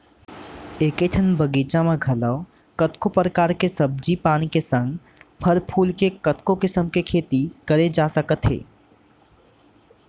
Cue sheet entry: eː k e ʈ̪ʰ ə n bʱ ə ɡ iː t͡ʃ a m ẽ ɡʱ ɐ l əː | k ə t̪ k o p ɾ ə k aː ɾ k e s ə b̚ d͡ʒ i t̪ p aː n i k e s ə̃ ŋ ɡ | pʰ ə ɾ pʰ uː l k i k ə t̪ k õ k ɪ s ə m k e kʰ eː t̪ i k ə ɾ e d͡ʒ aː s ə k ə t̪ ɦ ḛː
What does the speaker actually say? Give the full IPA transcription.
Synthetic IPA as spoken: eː k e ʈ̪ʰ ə n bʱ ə ɡ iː t͡ʃ a m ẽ ɡʱ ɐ l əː | k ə t̪ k o p ɾ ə k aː ɾ k e s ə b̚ d͡ʒ i p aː n i k e s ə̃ ŋ ɡ | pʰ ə ɾ pʰ uː l k e k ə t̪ k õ k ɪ s ə m k e kʰ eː t̪ i k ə ɾ e d͡ʒ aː s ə k ə t̪ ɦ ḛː